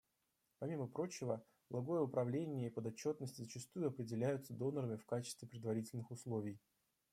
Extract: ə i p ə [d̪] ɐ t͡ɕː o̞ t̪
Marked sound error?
no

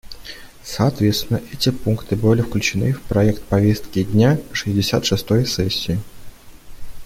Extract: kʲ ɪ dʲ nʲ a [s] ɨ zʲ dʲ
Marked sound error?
yes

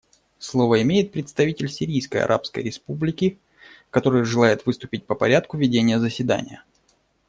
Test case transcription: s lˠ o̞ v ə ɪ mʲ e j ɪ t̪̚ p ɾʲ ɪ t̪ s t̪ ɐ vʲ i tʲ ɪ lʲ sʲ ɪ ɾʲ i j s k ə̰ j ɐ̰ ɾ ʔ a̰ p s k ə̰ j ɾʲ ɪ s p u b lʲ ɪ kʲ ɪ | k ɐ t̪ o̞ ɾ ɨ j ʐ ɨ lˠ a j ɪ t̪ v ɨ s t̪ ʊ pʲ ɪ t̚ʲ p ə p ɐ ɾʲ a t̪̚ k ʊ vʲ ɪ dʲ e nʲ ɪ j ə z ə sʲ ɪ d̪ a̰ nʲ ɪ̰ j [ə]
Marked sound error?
no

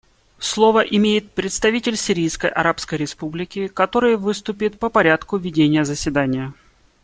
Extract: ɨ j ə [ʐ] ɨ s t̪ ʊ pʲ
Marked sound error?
yes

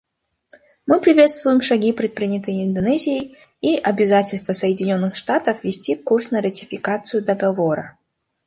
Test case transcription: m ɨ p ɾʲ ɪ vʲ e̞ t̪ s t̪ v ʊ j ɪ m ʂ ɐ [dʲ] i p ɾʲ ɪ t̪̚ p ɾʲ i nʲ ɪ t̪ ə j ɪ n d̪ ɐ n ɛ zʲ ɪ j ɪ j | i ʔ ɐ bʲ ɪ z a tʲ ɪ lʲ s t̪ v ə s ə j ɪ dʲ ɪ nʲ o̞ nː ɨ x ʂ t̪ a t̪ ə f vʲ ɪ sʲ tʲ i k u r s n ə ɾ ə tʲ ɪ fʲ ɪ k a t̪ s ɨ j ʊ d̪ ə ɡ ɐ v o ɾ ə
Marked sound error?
yes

